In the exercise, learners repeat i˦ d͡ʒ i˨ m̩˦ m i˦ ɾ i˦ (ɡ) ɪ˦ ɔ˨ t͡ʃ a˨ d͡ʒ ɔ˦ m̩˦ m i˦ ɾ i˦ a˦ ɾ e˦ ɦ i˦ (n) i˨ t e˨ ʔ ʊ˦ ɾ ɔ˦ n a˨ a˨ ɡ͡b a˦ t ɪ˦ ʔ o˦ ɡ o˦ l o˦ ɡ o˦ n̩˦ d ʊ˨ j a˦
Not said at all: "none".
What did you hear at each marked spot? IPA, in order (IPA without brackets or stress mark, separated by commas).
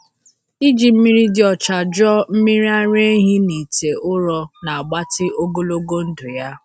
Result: d, n